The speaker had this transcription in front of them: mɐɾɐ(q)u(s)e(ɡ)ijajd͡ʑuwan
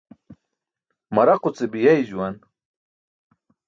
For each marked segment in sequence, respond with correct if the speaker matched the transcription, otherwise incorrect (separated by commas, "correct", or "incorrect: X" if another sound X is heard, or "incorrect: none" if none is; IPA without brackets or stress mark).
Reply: correct, incorrect: t͡s, incorrect: b